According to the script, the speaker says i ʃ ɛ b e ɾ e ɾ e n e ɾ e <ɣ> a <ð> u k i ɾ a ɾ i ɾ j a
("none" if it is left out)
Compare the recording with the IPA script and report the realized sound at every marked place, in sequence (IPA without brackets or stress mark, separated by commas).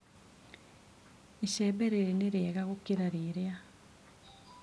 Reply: ɣ, ɣ